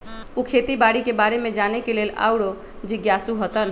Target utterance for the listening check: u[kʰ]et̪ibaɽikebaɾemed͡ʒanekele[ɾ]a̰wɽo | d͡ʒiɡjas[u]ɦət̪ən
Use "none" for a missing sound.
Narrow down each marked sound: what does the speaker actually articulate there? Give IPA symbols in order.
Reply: kʰ, l, u

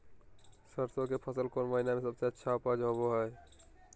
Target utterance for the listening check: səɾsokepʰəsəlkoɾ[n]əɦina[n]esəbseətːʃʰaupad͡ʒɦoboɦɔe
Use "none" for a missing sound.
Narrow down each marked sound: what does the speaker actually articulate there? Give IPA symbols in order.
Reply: m, m

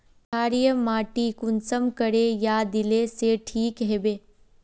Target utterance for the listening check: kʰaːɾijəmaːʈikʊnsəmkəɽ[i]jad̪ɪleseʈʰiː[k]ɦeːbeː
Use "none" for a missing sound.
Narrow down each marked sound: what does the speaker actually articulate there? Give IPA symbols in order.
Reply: e, k

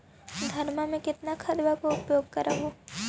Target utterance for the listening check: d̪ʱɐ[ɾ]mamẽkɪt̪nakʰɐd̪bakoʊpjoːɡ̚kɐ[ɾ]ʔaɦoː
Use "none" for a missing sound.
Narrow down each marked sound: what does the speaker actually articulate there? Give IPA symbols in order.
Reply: ɾ, ɾ

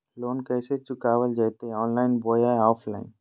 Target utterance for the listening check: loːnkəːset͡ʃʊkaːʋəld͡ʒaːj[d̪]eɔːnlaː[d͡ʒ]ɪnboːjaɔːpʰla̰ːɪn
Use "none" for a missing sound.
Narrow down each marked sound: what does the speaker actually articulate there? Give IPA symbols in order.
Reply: t̪, none

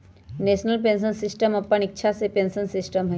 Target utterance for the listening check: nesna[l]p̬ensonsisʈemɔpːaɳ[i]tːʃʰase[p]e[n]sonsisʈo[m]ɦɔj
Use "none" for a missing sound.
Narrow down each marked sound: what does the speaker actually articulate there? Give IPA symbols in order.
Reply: l, i, p, n, m

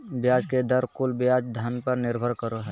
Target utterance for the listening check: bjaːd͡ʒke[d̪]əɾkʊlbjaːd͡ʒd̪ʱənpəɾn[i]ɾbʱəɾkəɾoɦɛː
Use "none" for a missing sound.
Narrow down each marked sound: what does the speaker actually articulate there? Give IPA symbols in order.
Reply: d̪, ɪ

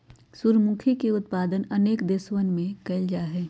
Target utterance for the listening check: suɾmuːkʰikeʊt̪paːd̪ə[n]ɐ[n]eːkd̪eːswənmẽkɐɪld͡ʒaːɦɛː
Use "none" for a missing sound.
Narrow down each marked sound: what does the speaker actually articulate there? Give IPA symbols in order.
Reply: n, n

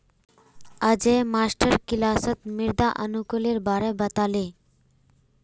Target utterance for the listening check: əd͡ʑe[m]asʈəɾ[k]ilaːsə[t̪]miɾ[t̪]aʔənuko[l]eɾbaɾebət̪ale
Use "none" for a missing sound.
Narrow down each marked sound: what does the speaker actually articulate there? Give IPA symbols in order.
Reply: m, k, t̪, d̪, l

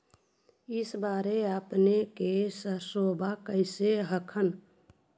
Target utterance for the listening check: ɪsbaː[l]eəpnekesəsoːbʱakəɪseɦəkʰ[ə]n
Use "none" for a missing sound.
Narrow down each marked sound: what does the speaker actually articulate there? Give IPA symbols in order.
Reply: ɾ, ə

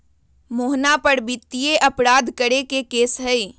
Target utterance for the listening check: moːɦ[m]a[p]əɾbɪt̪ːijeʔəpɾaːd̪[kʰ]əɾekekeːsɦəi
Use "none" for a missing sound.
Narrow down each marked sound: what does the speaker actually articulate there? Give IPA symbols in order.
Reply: n, p, k

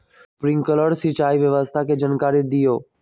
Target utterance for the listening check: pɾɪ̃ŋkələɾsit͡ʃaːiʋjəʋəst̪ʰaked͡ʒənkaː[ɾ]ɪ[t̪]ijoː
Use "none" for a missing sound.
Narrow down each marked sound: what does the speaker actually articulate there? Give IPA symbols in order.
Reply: ɾ, d̪

